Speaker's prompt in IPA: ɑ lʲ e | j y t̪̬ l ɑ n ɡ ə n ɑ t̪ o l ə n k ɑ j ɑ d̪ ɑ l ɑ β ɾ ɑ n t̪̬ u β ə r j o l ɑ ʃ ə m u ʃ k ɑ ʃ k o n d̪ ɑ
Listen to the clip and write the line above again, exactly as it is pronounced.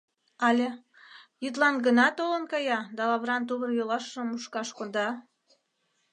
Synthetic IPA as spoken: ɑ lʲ e | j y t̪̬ l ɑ n ɡ ə n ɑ t̪ o l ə n k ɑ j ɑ d̪ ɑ l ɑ β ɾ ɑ n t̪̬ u β ə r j o l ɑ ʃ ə m u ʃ k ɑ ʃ k o n d̪ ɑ